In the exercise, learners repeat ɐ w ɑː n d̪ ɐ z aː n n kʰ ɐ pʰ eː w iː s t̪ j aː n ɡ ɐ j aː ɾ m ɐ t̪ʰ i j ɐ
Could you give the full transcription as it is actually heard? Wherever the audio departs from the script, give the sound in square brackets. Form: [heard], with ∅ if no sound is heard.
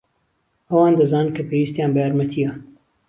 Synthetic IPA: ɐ w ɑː n d̪ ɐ z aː n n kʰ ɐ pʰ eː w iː s t̪ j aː n [b] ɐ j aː ɾ m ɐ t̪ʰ i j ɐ

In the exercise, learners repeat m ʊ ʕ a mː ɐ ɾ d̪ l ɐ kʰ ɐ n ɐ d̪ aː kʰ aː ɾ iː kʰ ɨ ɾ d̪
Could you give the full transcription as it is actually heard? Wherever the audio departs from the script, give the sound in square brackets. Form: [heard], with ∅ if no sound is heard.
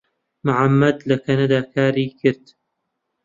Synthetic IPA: m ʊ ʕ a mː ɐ [∅] d̪ l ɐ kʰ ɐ n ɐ d̪ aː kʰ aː ɾ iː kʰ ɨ ɾ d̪

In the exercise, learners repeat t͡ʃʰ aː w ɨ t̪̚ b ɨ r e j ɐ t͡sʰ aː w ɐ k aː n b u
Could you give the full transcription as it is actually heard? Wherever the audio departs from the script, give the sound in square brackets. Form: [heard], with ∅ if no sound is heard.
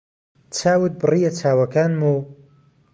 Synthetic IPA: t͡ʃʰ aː w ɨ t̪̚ b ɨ r [i] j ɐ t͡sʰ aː w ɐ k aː n [m] u

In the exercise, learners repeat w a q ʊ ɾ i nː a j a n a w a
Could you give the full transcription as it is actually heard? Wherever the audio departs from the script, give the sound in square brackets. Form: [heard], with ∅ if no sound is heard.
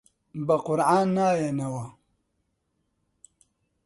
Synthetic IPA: [b] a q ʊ ɾ [a] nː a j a n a w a

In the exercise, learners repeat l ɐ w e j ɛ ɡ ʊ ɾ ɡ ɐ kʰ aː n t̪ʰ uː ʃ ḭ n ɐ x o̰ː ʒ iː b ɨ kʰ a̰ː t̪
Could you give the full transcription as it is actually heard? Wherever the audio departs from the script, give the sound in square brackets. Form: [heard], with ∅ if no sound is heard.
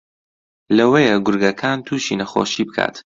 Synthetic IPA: l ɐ w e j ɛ ɡ ʊ ɾ ɡ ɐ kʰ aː n t̪ʰ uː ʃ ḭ n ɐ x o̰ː [ʃ] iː b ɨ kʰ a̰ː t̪

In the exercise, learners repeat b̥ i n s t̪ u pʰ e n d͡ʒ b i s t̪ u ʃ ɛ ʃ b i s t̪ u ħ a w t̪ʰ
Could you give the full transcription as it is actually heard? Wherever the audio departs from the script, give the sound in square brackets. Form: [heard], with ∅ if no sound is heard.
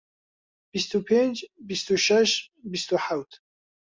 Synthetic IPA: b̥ i [∅] s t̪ u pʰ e n d͡ʒ b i s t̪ u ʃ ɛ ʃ b i s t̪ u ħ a w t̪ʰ

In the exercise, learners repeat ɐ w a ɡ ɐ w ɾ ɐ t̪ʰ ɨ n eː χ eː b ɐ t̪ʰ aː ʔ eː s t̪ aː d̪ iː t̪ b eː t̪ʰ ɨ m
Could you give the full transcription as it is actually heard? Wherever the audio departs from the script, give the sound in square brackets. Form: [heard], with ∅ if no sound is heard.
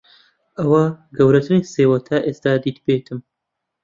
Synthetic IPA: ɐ w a ɡ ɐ w ɾ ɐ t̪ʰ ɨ n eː [s] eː [w] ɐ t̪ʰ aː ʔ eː s t̪ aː d̪ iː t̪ b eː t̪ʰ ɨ m

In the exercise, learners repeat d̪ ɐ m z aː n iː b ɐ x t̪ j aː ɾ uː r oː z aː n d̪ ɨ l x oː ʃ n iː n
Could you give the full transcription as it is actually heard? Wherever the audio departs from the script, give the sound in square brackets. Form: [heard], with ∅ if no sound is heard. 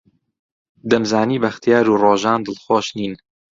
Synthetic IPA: d̪ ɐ m z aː n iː b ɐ x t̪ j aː ɾ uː r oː [ʒ] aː n d̪ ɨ l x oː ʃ n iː n

